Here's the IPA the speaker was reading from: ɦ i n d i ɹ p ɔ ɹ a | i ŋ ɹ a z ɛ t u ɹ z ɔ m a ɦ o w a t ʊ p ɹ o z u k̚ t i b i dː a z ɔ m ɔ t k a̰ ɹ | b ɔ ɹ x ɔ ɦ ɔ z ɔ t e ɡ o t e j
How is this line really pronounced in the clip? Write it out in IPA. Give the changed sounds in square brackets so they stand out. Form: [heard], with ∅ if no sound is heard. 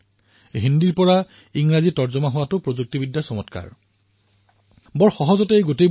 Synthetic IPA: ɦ i n d i ɹ p ɔ ɹ a | i ŋ ɹ a z [i] t [ɔ] ɹ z ɔ m a ɦ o w a t ʊ p ɹ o z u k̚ t i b i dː a [s] ɔ m ɔ t k a̰ ɹ | b ɔ ɹ x ɔ ɦ ɔ z ɔ t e ɡ o t e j